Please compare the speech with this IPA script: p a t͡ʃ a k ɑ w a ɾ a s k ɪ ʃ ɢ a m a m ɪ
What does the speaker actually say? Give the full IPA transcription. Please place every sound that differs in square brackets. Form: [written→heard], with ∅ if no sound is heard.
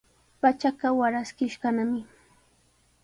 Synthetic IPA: p a t͡ʃ a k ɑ w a ɾ a s k ɪ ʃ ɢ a [m→n] a m ɪ